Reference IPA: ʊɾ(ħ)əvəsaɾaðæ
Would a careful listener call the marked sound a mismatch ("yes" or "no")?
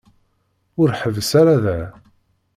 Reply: no